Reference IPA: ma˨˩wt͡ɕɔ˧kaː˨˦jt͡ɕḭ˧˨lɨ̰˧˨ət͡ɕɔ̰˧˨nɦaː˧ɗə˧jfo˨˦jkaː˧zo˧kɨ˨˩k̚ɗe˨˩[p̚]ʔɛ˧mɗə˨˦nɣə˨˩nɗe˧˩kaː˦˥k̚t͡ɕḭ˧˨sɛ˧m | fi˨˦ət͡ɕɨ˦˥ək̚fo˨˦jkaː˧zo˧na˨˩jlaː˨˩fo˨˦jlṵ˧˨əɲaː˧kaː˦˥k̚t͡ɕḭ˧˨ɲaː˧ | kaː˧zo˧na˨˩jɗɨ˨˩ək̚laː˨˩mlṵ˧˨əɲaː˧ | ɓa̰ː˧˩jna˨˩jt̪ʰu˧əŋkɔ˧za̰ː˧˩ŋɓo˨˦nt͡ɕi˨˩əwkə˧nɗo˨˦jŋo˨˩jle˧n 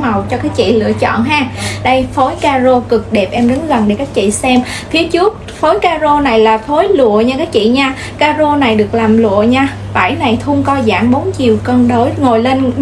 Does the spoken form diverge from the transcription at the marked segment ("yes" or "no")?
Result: no